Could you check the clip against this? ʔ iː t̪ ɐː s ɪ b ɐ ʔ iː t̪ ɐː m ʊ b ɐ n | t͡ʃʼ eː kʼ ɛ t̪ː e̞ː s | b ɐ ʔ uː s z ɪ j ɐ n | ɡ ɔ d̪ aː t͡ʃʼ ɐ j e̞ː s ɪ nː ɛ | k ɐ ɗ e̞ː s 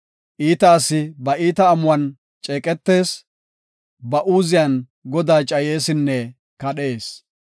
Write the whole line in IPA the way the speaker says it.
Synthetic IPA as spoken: ʔ iː t̪ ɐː s ɪ b ɐ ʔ iː t̪ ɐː m ʊ w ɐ n | t͡ʃʼ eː kʼ ɛ t̪ː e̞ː s | b ɐ ʔ uː z ɪ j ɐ n | ɡ ɔ d̪ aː t͡ʃʼ ɐ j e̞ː s ɪ nː ɛ | k ɐ ɗ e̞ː s